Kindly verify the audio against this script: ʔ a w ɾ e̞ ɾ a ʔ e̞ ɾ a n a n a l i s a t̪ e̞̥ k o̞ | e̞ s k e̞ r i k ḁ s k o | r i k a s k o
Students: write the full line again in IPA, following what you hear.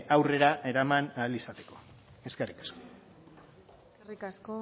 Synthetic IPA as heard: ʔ a w r e̞ ɾ a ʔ e̞ ɾ a m a n a l i s a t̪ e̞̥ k o̞ | e̞ s k e̞ r i k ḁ s k o | r i k a s k o